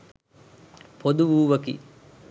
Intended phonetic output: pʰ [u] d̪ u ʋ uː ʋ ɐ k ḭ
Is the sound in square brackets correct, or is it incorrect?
incorrect